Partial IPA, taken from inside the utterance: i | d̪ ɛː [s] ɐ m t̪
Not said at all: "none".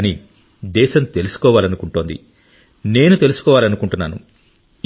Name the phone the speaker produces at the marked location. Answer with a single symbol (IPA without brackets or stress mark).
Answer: ʃ